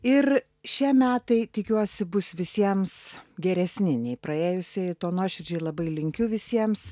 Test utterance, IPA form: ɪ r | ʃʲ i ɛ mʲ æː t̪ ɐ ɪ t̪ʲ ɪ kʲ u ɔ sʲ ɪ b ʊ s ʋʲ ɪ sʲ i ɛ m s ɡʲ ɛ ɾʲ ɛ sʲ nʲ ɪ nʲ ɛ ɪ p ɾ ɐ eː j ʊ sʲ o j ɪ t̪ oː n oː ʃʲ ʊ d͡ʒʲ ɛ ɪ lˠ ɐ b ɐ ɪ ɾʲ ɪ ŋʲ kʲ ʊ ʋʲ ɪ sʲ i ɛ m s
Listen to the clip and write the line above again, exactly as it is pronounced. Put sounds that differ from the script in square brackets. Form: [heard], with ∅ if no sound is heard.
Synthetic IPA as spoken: ɪ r | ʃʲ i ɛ mʲ æː t̪ ɐ ɪ t̪ʲ ɪ kʲ u ɔ sʲ ɪ b ʊ s ʋʲ ɪ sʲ i ɛ m s ɡʲ ɛ ɾʲ ɛ sʲ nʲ ɪ nʲ ɛ ɪ p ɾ ɐ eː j ʊ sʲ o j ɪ t̪ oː n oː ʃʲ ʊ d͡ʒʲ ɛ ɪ lˠ ɐ b ɐ ɪ [lʲ] ɪ ŋʲ kʲ ʊ ʋʲ ɪ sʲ i ɛ m s